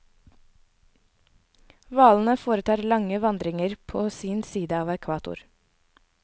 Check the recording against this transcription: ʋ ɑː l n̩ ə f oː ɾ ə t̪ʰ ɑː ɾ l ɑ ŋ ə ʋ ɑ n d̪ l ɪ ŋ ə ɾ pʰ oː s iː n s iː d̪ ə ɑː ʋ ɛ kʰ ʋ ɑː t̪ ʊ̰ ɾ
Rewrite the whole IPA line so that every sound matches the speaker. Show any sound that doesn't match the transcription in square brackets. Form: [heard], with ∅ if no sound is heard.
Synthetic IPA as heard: ʋ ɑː l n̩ ə f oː ɾ ə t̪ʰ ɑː ɾ l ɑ ŋ ə ʋ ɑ n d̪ [ɾ] ɪ ŋ ə ɾ pʰ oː s iː n s iː d̪ ə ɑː ʋ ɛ kʰ ʋ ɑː t̪ ʊ̰ ɾ